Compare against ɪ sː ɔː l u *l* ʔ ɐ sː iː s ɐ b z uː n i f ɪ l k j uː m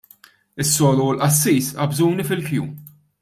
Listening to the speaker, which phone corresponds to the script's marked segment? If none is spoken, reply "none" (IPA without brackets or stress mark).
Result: l